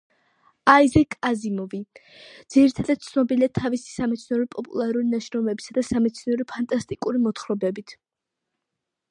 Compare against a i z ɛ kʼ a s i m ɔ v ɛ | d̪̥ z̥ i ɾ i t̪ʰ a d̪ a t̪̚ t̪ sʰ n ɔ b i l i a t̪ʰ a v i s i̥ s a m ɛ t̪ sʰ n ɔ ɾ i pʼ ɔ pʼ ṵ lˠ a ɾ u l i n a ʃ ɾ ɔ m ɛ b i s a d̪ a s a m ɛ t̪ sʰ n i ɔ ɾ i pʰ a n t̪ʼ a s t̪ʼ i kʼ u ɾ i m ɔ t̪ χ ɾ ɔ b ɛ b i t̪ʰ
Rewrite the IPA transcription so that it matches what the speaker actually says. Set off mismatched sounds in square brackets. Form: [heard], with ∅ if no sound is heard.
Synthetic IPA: a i z ɛ kʼ a [z] i m ɔ v [i] | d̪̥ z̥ i ɾ i t̪ʰ a d̪ a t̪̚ t̪ sʰ n ɔ b i l i a t̪ʰ a v i s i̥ s a m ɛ t̪ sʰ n ɔ ɾ i pʼ ɔ pʼ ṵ lˠ a ɾ u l i n a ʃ ɾ ɔ m ɛ b i s a d̪ a s a m ɛ t̪ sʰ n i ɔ ɾ i pʰ a n t̪ʼ a s t̪ʼ i kʼ u ɾ i m ɔ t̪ χ ɾ ɔ b ɛ b i t̪ʰ